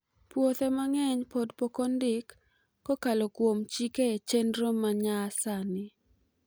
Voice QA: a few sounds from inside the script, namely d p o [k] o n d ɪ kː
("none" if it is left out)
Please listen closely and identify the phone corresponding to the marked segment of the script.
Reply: k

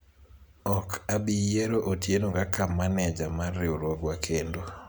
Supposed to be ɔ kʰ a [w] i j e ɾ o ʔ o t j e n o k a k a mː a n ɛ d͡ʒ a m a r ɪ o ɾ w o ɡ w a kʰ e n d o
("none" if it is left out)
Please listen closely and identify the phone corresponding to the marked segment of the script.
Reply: b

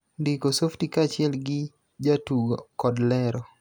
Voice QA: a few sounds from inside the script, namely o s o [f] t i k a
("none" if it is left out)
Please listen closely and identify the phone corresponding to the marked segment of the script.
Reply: f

